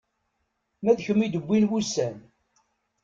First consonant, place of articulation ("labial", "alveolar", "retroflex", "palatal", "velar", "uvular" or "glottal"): labial